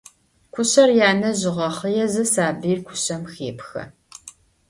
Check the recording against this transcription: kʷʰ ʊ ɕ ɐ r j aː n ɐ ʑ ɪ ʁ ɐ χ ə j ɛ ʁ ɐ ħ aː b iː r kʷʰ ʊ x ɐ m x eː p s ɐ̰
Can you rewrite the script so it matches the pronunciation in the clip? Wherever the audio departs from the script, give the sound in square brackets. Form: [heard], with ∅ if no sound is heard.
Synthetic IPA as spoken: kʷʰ ʊ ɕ ɐ r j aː n ɐ ʑ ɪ ʁ ɐ χ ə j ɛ [z] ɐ [s] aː b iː r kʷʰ ʊ [ɕ] ɐ m x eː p [x] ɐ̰